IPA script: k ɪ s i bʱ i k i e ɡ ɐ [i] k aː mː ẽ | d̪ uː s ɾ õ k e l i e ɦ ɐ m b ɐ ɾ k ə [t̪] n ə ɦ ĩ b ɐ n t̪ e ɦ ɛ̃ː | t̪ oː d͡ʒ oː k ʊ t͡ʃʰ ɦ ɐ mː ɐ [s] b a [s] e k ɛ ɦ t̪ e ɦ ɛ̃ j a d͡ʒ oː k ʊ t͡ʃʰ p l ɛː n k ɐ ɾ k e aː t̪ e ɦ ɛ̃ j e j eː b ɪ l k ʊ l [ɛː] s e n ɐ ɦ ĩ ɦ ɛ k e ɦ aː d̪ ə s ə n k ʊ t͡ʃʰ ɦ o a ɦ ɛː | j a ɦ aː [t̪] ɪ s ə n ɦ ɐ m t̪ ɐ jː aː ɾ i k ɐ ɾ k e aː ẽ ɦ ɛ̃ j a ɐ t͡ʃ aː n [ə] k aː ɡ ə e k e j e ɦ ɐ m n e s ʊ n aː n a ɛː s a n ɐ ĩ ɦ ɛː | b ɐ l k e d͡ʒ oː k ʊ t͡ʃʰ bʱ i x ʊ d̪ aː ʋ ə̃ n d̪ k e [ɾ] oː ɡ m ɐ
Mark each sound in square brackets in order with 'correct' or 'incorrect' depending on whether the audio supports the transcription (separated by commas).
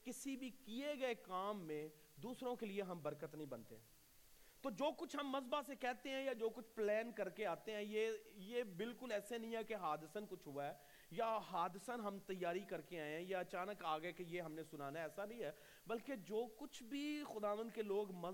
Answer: incorrect, correct, incorrect, correct, correct, incorrect, correct, incorrect